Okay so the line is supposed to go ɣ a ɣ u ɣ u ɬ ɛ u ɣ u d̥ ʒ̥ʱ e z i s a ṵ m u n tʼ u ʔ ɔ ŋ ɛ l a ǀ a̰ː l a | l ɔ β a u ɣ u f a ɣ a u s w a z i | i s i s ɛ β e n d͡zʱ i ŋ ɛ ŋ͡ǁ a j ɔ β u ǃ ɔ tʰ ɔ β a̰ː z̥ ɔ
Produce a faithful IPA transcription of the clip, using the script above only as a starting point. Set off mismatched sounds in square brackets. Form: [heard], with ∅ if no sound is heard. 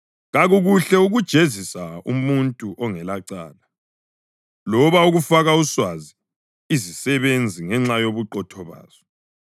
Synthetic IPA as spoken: ɣ a ɣ u ɣ u ɬ ɛ u ɣ u d̥ ʒ̥ʱ e z i s a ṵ m u n tʼ u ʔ ɔ ŋ ɛ l a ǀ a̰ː l a | l ɔ β a u ɣ u f a ɣ a u s w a z i | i [z] i s ɛ β e n d͡zʱ i ŋ ɛ ŋ͡ǁ a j [o] β u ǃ ɔ tʰ ɔ β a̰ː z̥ ɔ